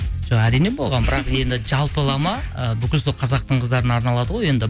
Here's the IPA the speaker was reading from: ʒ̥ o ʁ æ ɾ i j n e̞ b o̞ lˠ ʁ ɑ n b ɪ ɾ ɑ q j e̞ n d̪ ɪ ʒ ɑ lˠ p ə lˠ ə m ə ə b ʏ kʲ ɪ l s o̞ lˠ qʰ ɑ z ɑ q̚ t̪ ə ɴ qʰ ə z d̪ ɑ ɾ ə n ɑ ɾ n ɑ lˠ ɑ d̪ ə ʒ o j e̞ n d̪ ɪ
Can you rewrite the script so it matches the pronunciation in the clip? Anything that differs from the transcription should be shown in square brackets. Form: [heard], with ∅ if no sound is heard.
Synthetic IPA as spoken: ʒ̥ o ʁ æ ɾ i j n e̞ b o̞ lˠ ʁ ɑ n b ɪ ɾ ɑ q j e̞ n d̪ ɪ ʒ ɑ lˠ p ə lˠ [ɑ] m [ɑ] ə b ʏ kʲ ɪ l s o̞ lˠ qʰ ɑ z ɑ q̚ t̪ ə ɴ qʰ ə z d̪ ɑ ɾ ə n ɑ ɾ n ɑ lˠ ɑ d̪ ə [ʁ] o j e̞ n d̪ ɪ